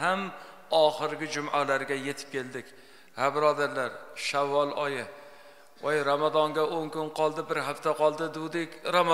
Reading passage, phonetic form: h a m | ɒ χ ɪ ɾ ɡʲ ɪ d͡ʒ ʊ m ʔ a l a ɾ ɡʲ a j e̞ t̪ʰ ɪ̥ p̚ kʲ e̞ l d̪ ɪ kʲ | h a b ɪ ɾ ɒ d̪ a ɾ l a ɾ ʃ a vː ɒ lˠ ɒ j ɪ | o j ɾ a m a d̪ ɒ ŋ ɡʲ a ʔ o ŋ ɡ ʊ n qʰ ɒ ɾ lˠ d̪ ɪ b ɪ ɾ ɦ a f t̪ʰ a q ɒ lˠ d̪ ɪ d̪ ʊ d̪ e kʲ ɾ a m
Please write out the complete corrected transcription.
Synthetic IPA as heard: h a m | ɒ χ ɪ ɾ ɡʲ ɪ d͡ʒ ʊ m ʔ a l a ɾ ɡʲ a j e̞ t̪ʰ ɪ̥ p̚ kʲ e̞ l d̪ ɪ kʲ | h a b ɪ ɾ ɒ d̪ a ɾ l a ɾ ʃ a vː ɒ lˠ ɒ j ɪ | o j ɾ a m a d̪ ɒ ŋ ɡʲ a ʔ o ŋ k ʊ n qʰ ɒ lˠ d̪ ɪ b ɪ ɾ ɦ a f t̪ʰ a q ɒ lˠ d̪ ɪ d̪ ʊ d̪ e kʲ ɾ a m